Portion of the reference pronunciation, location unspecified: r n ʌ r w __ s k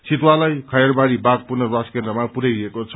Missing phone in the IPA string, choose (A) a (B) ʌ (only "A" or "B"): A